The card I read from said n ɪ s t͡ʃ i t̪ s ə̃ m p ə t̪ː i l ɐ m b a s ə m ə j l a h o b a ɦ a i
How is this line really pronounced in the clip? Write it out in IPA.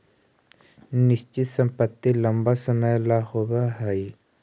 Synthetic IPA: n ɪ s t͡ʃ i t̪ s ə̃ m p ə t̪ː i l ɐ m b a s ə m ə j l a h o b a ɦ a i